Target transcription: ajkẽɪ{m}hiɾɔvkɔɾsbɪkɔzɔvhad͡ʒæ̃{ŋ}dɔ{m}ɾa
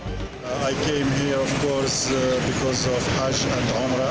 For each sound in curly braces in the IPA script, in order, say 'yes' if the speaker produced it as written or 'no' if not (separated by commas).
yes, no, yes